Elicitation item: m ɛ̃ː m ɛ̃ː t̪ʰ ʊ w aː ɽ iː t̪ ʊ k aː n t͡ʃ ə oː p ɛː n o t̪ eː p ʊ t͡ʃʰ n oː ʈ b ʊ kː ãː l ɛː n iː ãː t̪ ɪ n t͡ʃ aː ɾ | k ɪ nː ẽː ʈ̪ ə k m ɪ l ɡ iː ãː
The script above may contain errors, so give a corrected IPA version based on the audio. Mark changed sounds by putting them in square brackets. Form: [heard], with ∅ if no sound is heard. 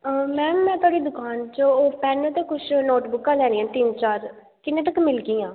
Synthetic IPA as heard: m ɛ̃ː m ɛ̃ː [t̪] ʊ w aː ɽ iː [d̪] ʊ k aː n t͡ʃ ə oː p ɛː n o t̪ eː [k] ʊ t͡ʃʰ n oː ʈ b ʊ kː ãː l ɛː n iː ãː t̪ ɪ n t͡ʃ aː ɾ | k ɪ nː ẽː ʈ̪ ə k m ɪ l ɡ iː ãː